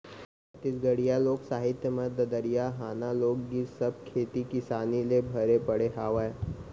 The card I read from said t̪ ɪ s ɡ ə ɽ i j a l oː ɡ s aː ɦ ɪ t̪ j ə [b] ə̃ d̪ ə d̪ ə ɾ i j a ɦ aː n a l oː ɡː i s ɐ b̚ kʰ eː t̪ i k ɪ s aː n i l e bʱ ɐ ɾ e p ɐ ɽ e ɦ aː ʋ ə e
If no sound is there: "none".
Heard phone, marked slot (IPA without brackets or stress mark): m